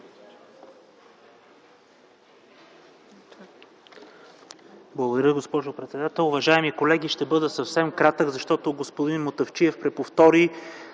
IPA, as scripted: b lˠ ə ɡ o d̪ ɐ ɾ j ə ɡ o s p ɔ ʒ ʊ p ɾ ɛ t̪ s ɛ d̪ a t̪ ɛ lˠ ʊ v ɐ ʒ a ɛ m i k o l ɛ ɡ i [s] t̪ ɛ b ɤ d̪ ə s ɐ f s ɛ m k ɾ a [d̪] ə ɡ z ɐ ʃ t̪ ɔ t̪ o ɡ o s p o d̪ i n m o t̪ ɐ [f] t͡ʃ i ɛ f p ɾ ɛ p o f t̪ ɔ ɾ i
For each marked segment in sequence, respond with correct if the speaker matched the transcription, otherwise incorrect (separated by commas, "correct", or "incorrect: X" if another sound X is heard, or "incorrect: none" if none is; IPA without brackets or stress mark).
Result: incorrect: ʃ, incorrect: t̪, correct